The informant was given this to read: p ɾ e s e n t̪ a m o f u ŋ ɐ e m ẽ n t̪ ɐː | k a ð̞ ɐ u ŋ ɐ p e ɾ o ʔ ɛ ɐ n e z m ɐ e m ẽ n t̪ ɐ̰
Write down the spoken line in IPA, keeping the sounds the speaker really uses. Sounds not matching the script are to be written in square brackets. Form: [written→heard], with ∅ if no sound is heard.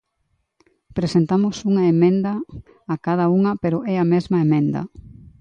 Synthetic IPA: p ɾ e s e n t̪ a m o [f→s] u ŋ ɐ e m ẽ n [t̪→d̪] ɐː | k a ð̞ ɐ u ŋ ɐ p e ɾ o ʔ ɛ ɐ [n→m] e z m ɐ e m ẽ n [t̪→d̪] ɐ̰